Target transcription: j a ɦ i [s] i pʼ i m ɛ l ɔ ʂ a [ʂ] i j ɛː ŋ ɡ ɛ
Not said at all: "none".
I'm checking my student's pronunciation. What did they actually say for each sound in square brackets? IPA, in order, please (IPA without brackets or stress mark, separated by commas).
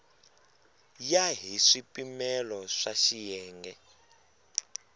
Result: ʂ, ʃ